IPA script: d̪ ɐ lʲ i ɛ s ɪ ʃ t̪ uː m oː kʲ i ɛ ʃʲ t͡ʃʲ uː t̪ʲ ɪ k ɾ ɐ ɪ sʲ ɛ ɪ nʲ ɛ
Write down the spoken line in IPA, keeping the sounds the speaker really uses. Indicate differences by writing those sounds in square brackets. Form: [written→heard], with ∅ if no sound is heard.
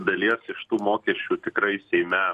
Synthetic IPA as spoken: d̪ ɐ lʲ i ɛ s ɪ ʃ t̪ uː m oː kʲ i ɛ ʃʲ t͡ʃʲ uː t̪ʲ ɪ k ɾ ɐ ɪ sʲ ɛ ɪ [nʲ→mʲ] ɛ